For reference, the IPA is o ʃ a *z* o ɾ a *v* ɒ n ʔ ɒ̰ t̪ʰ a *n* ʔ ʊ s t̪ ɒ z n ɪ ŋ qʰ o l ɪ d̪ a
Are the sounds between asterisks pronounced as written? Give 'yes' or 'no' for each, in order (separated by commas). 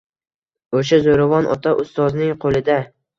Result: yes, yes, no